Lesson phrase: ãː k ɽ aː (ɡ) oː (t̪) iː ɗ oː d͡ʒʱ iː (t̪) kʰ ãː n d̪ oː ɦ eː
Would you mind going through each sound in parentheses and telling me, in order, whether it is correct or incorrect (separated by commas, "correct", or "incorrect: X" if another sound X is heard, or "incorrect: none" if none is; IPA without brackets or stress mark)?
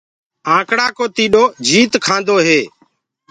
incorrect: k, correct, correct